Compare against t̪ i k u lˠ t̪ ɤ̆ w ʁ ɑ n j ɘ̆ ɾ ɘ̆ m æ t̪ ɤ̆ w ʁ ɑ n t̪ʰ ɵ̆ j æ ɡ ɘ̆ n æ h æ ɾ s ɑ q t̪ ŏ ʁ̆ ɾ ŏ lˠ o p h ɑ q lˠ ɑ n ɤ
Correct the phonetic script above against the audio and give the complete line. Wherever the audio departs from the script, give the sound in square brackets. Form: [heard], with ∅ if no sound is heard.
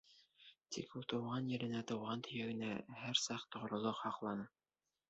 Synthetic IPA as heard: t̪ i k u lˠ t̪ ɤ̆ w ʁ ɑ n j ɘ̆ ɾ ɘ̆ [n] æ t̪ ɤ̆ w ʁ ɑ n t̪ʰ ɵ̆ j æ ɡ ɘ̆ n æ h æ ɾ s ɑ q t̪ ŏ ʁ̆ ɾ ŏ lˠ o [q] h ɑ q lˠ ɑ n ɤ